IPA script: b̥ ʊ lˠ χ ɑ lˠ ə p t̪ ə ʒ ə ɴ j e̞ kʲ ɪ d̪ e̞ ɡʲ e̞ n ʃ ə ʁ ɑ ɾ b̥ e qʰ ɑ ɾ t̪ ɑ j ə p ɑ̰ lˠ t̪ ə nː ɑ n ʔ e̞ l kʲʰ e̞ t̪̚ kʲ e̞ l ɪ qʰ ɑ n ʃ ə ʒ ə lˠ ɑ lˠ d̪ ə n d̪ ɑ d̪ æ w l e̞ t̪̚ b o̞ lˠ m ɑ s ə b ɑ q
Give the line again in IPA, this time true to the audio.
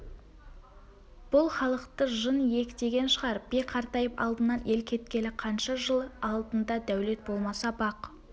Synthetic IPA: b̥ ʊ lˠ χ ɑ lˠ ə q t̪ ə ʒ ə n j e̞ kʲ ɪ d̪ e̞ ɡʲ e̞ n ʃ ə ʁ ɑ ɾ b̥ e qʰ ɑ ɾ t̪ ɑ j ə p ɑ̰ lˠ d̪ ə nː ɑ n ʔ e̞ l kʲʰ e̞ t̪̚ kʲ e̞ l ɪ qʰ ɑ n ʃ ɑ ʒ ə lˠ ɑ lˠ d̪ ə n d̪ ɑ d̪ æ w l e̞ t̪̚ b o̞ lˠ m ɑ s ɑ b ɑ q